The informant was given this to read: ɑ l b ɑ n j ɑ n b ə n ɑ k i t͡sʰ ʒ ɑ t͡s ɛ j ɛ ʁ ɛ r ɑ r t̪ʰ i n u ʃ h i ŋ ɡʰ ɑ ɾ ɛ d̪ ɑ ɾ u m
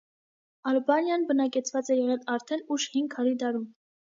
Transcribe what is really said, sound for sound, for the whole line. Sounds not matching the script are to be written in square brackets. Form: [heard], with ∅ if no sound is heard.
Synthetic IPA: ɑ l b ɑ n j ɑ n b ə n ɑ k [ɛ] t͡sʰ [v] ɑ t͡s ɛ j ɛ ʁ ɛ [l] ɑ [ɾ] t̪ʰ [ɛ] n u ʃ h i ŋ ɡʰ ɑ ɾ [i] d̪ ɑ ɾ u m